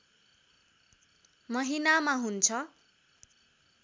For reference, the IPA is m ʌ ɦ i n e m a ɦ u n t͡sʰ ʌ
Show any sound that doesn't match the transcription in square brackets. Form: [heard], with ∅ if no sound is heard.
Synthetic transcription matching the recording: m ʌ ɦ i n [a] m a ɦ u n t͡sʰ ʌ